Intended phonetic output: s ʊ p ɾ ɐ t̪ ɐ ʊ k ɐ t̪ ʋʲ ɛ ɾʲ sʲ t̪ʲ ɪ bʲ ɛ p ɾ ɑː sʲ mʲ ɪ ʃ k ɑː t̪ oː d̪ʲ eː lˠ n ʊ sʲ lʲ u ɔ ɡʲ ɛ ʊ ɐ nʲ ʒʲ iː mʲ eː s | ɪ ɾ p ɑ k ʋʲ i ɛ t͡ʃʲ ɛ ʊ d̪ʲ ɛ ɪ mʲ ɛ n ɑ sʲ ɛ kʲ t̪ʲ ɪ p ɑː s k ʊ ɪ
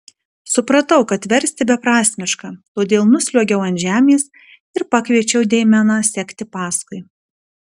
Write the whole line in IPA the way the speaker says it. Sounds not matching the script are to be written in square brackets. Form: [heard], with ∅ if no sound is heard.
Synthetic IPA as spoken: s ʊ p ɾ ɐ t̪ ɐ ʊ k ɐ t̪ ʋʲ ɛ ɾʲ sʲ t̪ʲ ɪ bʲ ɛ p ɾ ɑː sʲ mʲ ɪ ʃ k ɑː t̪ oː d̪ʲ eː lˠ n ʊ sʲ lʲ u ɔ ɡʲ ɛ ʊ ɐ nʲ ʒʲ [æː] mʲ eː s | ɪ ɾ p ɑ k ʋʲ i ɛ t͡ʃʲ ɛ ʊ d̪ʲ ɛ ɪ mʲ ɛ n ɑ sʲ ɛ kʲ t̪ʲ ɪ p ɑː s k ʊ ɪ